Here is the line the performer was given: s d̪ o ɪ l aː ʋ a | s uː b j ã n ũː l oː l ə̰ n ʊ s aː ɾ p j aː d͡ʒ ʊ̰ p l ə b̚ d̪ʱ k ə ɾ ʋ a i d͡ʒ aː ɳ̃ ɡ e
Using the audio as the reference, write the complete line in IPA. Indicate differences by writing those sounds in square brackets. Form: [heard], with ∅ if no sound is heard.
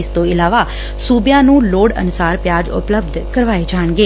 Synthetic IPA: s [t̪] o ɪ l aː ʋ a | s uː b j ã n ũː l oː [ɽ] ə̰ n ʊ s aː ɾ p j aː d͡ʒ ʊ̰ p l ə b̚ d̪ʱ k ə ɾ ʋ a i d͡ʒ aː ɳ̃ ɡ e